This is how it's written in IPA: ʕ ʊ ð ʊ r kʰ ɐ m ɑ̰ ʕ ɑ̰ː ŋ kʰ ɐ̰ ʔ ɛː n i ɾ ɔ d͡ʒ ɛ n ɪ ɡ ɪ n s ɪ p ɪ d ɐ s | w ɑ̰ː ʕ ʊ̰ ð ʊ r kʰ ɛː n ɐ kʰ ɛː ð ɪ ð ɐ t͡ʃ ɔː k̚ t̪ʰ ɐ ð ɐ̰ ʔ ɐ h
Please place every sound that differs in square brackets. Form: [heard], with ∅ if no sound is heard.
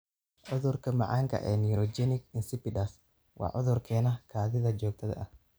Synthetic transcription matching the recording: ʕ ʊ ð ʊ r kʰ ɐ m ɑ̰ ʕ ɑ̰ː ŋ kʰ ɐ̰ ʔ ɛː n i ɾ ɔ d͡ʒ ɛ n ɪ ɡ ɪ n s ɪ p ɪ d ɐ s | w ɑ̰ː ʕ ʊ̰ ð ʊ r kʰ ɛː n ɐ kʰ [aː] ð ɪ ð ɐ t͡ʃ ɔː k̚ t̪ʰ ɐ ð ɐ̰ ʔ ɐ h